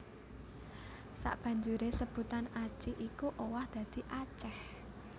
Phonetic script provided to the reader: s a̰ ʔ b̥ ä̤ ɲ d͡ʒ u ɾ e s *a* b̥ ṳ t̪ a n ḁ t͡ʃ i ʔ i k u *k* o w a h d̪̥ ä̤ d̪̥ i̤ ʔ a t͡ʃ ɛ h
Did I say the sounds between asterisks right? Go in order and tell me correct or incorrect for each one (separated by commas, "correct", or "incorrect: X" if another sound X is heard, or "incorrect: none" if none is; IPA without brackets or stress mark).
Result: incorrect: ə, incorrect: ʔ